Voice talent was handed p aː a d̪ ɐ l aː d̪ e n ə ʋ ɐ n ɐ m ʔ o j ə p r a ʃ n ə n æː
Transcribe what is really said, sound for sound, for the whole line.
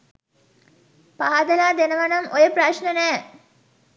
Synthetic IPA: p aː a d̪ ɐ l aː d̪ e n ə ʋ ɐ n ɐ m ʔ o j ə p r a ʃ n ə n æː